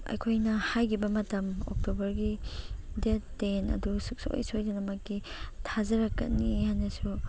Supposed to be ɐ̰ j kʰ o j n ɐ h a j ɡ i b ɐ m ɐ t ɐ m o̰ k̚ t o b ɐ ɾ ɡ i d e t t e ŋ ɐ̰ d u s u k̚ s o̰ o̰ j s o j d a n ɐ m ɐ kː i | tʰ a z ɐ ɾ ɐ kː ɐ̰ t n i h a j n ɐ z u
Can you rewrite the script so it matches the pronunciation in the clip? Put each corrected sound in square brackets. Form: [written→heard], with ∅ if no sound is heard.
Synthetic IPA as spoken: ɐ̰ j kʰ o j n ɐ h a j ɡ i b ɐ m ɐ t ɐ m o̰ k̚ t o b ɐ ɾ ɡ i d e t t e [ŋ→n] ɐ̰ d u s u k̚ s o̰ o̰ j s o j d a n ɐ m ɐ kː i | tʰ a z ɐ ɾ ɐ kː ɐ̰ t n i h a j n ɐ [z→s] u

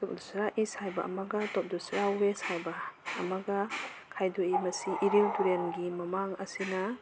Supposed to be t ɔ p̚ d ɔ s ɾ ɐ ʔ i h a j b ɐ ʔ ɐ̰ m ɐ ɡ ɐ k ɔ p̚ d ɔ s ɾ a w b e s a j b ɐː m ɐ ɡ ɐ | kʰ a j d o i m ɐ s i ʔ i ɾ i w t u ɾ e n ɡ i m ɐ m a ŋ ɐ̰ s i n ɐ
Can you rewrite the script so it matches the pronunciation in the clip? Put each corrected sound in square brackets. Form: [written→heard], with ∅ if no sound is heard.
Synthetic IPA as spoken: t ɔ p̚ d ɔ s ɾ [ɐ→a] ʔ i [h→s] a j b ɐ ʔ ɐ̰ m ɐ ɡ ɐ [k→t] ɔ p̚ d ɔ s ɾ a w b e s a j b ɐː m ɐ ɡ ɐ | kʰ a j d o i m ɐ s i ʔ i ɾ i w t u ɾ e n ɡ i m ɐ m a ŋ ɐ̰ s i n ɐ

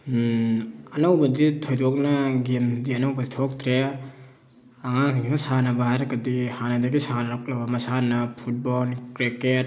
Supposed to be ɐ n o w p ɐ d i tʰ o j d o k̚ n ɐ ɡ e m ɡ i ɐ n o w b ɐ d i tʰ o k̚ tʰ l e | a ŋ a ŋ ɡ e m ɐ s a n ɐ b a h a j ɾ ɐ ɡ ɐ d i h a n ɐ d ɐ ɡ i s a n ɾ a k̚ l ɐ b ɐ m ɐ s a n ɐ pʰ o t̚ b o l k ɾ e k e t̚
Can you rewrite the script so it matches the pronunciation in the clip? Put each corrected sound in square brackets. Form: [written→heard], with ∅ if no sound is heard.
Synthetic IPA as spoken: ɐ n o w [p→b] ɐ d i tʰ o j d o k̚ n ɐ ɡ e m [ɡ→d] i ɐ n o w b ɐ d i tʰ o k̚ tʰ [l→ɾ] e | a ŋ a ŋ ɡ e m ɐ s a n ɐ b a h a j ɾ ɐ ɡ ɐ d i h a n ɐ d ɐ ɡ i s a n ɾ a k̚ l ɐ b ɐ m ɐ s a n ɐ pʰ [o→u] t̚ b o l k ɾ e k e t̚

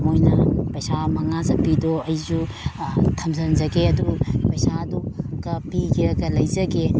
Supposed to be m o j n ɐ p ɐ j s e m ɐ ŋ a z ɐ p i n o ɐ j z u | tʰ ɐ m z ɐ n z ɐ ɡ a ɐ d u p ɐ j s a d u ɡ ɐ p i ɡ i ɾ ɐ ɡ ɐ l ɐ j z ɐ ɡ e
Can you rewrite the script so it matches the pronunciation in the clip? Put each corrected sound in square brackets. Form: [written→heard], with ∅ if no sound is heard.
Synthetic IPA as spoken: m o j n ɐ p ɐ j s [e→a] m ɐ ŋ a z ɐ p i [n→d] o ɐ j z u | tʰ ɐ m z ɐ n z ɐ ɡ [a→e] ɐ d u p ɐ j s a d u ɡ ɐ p i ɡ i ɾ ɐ ɡ ɐ l ɐ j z ɐ ɡ e

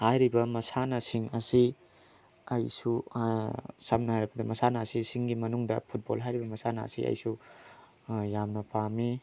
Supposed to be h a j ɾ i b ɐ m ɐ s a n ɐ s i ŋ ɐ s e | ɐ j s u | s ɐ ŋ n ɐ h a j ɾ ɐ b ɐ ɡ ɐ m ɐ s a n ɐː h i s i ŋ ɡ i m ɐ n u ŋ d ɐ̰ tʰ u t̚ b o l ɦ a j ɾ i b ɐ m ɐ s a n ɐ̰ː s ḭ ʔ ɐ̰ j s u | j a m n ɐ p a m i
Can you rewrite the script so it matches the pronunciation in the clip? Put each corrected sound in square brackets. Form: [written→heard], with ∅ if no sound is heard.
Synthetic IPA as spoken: h a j ɾ i b ɐ m ɐ s a n ɐ s i ŋ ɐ s [e→i] | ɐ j s u | s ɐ [ŋ→m] n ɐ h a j ɾ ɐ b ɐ [ɡ→d] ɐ m ɐ s a n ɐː [h→s] i s i ŋ ɡ i m ɐ n u ŋ d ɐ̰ [tʰ→pʰ] u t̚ b o l ɦ a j ɾ i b ɐ m ɐ s a n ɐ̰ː s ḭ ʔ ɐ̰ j s u | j a m n ɐ p a m i

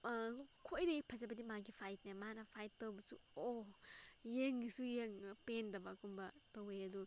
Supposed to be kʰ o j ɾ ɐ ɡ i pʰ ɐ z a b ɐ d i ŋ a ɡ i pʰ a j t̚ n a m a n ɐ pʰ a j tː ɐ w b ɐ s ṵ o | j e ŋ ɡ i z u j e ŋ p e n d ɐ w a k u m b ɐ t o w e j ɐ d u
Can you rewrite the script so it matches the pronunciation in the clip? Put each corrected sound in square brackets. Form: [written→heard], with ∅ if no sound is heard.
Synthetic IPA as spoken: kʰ o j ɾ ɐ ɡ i pʰ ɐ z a b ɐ d i [ŋ→m] a ɡ i pʰ a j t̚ n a m a n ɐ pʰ a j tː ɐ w b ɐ s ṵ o | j e ŋ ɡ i [z→s] u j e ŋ p e n d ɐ [w→b] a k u m b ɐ t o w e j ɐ d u

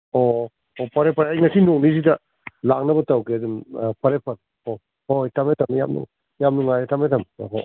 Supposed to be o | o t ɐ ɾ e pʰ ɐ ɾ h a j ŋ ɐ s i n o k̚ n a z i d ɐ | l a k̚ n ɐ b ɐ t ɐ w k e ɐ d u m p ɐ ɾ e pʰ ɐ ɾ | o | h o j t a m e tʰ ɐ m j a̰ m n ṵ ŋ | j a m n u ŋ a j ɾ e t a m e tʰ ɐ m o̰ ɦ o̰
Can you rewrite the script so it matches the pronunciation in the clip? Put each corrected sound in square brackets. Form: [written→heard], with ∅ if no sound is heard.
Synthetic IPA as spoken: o | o [t→p] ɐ ɾ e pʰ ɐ ɾ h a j ŋ ɐ s i n o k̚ n [a→i] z i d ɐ | l a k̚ n ɐ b ɐ t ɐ w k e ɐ d u m p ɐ ɾ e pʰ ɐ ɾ | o | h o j t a m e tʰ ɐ m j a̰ m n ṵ ŋ | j a m n u ŋ a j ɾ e t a m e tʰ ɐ m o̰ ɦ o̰

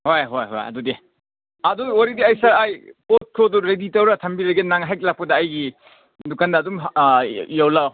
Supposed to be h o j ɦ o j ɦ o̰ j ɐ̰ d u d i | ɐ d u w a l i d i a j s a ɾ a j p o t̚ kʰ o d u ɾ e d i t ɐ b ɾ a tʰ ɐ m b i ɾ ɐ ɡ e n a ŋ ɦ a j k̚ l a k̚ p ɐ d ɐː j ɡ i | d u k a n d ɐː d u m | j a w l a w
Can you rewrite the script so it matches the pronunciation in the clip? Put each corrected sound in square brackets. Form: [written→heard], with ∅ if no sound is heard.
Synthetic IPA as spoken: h o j ɦ o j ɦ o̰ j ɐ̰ d u d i | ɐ d u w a [l→ɾ] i d i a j s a ɾ a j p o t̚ kʰ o d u ɾ e d i t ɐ [b→w] ɾ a tʰ ɐ m b i ɾ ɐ ɡ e n a ŋ ɦ a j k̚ l a k̚ p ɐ d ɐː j ɡ i | d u k a n d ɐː d u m | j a w l a w

